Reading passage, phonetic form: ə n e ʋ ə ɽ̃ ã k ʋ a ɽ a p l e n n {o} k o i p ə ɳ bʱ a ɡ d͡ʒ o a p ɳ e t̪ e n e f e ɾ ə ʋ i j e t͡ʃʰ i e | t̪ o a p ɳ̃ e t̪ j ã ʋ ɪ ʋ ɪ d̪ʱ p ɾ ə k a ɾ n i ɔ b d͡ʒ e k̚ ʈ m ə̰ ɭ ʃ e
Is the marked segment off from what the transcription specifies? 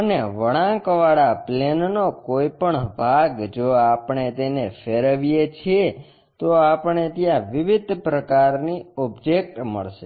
no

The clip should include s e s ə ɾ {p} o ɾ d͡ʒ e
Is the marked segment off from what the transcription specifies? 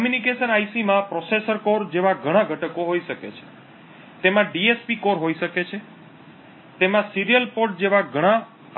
yes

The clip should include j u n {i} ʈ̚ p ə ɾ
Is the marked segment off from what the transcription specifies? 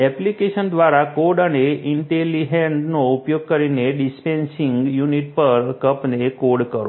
no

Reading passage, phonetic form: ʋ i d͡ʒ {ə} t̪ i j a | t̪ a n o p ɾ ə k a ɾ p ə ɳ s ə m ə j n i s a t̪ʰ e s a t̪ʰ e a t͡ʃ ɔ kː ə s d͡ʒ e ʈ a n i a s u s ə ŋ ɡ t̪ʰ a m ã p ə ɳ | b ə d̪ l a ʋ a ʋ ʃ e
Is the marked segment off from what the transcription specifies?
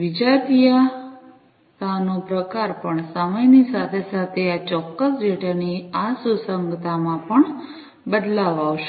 yes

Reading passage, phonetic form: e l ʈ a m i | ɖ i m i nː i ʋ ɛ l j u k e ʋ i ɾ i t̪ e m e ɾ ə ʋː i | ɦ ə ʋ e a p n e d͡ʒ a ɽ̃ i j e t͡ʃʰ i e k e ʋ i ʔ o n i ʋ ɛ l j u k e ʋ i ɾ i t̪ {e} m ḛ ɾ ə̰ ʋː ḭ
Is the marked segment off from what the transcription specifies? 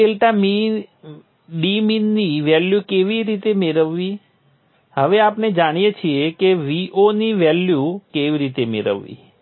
no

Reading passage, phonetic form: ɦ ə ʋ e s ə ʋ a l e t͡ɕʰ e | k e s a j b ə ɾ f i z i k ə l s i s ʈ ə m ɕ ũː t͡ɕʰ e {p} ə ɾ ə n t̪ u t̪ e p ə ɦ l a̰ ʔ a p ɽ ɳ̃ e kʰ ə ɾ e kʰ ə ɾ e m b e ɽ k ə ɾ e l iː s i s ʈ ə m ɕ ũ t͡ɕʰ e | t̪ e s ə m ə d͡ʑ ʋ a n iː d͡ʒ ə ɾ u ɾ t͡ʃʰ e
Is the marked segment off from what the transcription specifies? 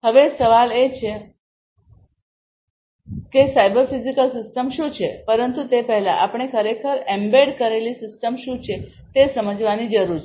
no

